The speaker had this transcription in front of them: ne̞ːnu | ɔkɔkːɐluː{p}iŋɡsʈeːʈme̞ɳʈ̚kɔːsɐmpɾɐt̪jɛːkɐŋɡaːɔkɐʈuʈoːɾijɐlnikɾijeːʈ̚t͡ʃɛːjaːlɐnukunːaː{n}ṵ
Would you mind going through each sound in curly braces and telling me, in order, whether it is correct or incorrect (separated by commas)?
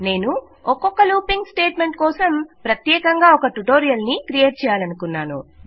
correct, correct